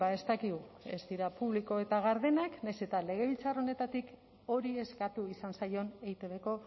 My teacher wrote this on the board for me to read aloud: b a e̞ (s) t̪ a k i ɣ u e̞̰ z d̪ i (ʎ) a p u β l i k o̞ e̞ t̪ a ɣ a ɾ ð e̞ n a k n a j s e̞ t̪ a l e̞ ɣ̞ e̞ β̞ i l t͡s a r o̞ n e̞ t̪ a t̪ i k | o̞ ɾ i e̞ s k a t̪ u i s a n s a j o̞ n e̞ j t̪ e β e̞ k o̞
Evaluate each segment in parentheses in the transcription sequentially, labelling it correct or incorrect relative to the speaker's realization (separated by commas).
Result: correct, incorrect